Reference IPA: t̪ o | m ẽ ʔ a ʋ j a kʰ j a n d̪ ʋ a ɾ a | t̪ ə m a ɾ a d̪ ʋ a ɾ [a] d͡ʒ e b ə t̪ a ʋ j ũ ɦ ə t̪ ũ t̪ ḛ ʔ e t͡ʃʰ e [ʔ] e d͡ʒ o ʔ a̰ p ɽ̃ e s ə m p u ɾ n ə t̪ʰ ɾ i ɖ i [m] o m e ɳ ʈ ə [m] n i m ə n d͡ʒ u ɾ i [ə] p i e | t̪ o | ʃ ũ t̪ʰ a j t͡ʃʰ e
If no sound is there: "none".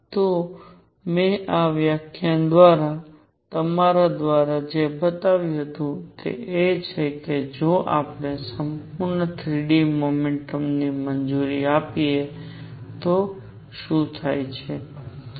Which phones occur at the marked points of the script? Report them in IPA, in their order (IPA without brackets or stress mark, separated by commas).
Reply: a, k, m, m, a